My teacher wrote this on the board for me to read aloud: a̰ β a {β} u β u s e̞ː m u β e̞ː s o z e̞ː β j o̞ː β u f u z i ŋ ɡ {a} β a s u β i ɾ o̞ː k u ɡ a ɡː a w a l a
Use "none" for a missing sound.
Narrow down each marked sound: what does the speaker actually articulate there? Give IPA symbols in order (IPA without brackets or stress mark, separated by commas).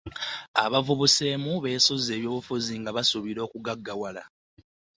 v, a